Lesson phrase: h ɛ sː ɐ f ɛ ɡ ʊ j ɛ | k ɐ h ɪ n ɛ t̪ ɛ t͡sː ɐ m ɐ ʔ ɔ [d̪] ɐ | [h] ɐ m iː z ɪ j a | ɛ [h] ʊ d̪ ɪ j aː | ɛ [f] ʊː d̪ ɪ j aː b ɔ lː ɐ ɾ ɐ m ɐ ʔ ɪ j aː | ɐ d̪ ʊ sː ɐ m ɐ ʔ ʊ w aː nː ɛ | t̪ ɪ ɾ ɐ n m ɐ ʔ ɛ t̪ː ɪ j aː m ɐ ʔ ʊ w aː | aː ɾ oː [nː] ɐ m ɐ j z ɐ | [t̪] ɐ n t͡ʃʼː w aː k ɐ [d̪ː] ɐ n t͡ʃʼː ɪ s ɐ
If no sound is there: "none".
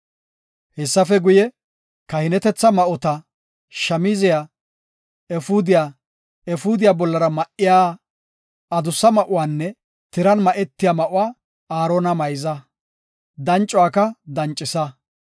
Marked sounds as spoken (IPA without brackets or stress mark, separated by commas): t̪, ʃ, f, f, n, d̪, d̪